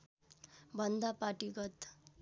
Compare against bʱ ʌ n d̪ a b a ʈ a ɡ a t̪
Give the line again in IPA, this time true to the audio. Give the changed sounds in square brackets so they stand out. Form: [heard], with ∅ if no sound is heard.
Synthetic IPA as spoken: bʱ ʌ n d̪ a [p] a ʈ [i] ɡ [ʌ] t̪